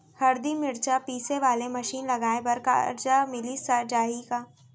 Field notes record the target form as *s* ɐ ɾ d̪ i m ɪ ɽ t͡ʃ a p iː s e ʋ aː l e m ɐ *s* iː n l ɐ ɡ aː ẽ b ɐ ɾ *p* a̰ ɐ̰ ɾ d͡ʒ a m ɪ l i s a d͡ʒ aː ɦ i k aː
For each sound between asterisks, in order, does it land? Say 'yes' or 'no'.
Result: no, no, no

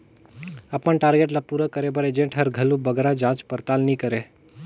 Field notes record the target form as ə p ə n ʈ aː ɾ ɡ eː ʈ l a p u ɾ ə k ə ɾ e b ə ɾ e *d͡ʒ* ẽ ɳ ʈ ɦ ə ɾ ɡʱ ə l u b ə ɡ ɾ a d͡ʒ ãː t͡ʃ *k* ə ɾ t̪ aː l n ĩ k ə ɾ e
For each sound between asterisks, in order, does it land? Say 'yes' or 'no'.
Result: yes, no

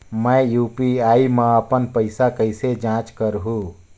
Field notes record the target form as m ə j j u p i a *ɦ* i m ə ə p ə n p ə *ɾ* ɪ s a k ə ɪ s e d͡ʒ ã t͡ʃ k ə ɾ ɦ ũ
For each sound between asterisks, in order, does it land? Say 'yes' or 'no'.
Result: no, no

